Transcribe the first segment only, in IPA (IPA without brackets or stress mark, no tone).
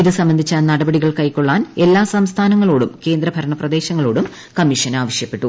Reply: i